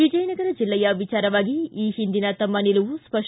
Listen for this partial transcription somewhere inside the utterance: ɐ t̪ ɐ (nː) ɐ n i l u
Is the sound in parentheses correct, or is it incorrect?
incorrect